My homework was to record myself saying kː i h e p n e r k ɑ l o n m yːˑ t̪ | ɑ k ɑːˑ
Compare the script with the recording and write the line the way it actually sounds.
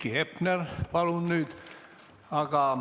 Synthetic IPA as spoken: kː i h e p n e r p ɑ l u n n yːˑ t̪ | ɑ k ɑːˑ